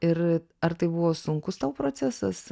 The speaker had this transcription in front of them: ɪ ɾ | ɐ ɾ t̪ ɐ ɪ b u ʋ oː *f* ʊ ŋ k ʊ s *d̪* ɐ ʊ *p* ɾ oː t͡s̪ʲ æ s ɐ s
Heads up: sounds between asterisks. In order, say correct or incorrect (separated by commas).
incorrect, incorrect, correct